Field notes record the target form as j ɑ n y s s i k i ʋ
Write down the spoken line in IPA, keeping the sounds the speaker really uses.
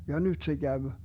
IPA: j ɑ n y t s e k æ ʋ

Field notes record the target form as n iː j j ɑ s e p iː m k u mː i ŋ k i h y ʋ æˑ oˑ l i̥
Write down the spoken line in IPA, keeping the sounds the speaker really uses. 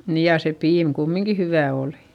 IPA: n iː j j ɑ s e p iː m k u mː i ŋ k i h y ʋ æˑ oˑ l i̥

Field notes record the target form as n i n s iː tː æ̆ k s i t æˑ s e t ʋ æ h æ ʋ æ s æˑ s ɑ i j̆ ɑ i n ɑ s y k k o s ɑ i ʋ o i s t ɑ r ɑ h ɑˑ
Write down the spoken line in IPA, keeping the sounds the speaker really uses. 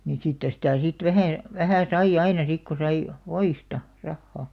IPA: n i n s iː tː æ̆ s i t æˑ s i t ʋ æ h æ ʋ æ h æˑ s ɑ i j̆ ɑ i n ɑ s i k k o s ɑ i ʋ o i s t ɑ r ɑ hː ɑˑ

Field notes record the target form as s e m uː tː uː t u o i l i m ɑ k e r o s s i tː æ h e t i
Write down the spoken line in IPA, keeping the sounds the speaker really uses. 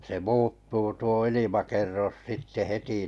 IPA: s e m uː tː uː t u o i l i m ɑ k e rː o s s i tː e h e t i

